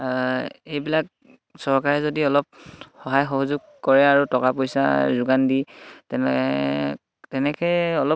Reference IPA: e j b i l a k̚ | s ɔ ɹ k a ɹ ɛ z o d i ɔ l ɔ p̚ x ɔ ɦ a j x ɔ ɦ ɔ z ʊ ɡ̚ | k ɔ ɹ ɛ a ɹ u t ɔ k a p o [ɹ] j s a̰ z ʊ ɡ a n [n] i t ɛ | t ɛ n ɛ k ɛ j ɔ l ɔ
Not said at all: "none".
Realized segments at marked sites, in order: none, d

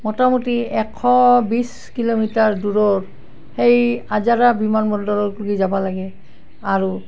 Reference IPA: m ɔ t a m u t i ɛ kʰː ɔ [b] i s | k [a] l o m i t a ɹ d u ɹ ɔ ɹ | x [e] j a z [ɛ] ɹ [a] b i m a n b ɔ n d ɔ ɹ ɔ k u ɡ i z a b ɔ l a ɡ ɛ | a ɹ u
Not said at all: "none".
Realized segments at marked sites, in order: b, i, e, a, a

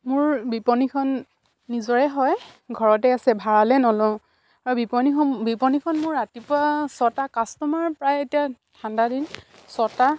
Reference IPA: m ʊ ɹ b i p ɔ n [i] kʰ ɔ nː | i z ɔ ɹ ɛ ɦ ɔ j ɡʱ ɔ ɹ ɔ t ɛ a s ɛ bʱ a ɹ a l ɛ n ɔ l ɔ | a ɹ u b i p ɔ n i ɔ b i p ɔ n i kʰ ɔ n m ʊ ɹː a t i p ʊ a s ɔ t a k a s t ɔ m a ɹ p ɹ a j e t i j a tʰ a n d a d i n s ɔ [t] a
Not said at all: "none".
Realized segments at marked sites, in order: i, t

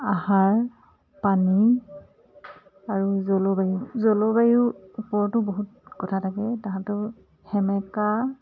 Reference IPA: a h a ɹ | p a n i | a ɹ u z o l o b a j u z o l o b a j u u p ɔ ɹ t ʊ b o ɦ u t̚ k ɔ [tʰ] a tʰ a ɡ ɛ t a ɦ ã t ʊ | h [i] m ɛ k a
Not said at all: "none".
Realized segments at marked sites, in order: tʰ, ɛ

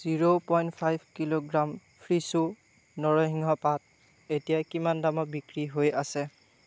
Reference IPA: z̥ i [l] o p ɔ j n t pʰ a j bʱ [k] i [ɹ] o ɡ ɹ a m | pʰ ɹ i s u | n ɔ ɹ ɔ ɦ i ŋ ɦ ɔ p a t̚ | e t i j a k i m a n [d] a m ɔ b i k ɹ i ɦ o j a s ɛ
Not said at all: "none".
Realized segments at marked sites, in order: ɹ, k, l, d

